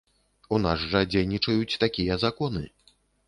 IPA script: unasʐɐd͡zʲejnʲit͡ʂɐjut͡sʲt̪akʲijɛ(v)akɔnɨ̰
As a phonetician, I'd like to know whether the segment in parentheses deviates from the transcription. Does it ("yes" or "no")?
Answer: yes